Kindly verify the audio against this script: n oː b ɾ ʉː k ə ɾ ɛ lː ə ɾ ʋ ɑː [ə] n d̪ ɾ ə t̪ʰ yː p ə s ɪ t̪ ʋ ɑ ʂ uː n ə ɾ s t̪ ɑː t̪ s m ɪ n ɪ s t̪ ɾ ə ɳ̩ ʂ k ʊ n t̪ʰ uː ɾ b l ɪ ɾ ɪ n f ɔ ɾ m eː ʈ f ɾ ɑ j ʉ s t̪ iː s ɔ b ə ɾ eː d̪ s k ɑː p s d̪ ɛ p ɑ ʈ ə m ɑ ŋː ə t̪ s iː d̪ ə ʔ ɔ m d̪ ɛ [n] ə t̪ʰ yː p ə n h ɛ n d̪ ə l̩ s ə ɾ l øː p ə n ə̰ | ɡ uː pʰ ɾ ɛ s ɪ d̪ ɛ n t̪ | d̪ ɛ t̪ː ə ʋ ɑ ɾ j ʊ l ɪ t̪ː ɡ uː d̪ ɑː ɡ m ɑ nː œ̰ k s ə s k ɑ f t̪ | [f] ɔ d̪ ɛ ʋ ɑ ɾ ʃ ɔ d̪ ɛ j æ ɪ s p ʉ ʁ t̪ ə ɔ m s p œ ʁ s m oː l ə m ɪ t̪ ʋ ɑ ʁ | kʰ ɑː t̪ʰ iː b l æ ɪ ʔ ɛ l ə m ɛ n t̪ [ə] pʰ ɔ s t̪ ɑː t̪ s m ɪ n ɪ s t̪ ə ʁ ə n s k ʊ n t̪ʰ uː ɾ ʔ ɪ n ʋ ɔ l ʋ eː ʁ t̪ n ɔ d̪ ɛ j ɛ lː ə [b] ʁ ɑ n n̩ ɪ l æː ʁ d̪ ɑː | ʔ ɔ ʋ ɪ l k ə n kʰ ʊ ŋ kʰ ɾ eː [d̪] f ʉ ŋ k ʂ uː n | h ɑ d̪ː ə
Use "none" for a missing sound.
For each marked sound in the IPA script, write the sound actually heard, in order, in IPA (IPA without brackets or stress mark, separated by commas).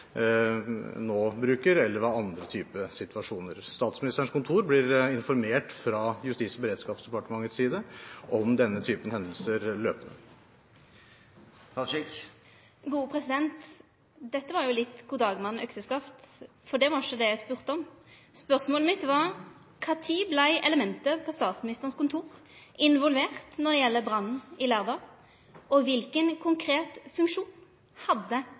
ɑ, nː, f, ə, b, t̪